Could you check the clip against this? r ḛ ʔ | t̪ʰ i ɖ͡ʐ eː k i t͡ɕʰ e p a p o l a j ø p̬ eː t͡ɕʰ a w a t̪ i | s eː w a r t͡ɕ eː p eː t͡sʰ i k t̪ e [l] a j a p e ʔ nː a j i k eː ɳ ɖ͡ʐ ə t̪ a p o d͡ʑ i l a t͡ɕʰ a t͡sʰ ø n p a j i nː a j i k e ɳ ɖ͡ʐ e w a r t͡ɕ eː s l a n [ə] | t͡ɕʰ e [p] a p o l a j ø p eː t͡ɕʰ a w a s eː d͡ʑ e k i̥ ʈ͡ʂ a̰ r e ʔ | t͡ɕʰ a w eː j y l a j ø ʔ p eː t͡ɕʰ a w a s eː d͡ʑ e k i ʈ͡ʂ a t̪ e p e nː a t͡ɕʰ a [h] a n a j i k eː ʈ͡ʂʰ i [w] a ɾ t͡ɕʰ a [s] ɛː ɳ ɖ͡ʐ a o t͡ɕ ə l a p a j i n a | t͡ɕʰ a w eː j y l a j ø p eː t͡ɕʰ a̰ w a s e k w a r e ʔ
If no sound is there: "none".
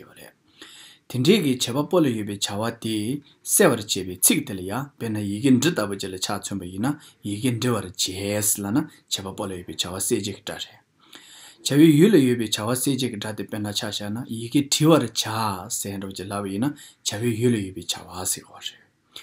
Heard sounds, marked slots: l, a, p, ɕ, w, s

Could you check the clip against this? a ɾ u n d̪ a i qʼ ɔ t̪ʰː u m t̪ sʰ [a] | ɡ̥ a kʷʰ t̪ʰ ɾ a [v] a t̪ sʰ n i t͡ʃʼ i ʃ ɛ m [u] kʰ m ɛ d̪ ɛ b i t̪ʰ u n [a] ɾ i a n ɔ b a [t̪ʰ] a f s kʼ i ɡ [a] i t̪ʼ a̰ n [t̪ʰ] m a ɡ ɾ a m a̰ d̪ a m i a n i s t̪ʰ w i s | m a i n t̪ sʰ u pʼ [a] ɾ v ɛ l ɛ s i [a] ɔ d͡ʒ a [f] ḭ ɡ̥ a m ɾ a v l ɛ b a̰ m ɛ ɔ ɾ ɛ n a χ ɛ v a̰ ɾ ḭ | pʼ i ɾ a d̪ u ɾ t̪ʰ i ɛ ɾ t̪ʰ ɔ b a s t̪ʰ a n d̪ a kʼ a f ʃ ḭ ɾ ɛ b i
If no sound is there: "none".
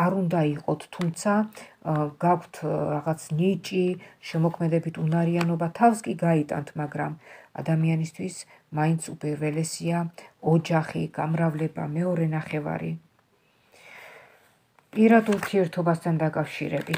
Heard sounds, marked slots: a, ʁ, ɔ, a, t̪ʰ, a, t̪ʰ, i, a, χ

